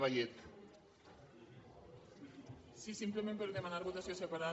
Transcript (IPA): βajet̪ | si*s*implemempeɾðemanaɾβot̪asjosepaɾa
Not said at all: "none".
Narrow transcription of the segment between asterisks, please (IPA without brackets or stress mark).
s